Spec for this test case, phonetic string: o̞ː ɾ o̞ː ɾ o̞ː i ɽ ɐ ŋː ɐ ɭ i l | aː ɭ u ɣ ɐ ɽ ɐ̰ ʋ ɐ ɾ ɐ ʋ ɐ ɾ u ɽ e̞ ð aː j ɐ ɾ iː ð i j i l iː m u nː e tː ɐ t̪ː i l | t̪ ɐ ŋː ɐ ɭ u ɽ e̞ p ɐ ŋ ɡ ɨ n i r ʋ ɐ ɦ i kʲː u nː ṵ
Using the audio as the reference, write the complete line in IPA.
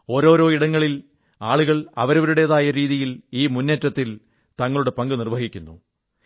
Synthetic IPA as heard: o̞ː ɾ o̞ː ɾ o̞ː i ɽ ɐ ŋː ɐ ɭ i l | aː ɭ u ɣ ɐ ɭ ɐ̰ ʋ ɐ ɾ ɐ ʋ ɐ ɾ u ɽ e̞ ð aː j ɐ ɾ iː ð i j i l iː m u nː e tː ɐ t̪ː i l | t̪ ɐ ŋː ɐ ɭ u ɽ e̞ p ɐ ŋ ɡ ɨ n i r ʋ ɐ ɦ i kʲː u nː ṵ

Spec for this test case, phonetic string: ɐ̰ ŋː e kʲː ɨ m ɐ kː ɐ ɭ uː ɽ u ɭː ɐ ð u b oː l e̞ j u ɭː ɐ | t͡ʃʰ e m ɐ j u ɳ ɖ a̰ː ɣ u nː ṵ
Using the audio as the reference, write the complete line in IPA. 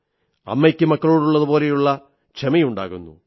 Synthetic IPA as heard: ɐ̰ mː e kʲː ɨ m ɐ kː ɐ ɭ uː ɽ u ɭː ɐ ð u b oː l e̞ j u ɭː ɐ | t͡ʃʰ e m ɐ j u ɳ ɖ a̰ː ɣ u nː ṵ

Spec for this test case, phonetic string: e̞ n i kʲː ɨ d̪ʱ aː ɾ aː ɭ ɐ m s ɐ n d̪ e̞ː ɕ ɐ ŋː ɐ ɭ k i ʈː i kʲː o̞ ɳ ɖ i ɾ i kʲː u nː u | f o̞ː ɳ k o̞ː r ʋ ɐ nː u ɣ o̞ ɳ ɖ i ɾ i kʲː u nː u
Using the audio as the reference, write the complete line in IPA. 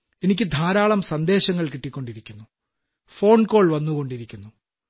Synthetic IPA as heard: e̞ n i kʲː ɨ d̪ʱ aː ɾ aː ɭ ɐ m s ɐ n d̪ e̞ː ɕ ɐ ŋː ɐ ɭ k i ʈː i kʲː o̞ ɳ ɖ i ɾ i kʲː u nː u | f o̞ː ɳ k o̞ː ɭ ʋ ɐ nː u ɣ o̞ ɳ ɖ i ɾ i kʲː u nː u

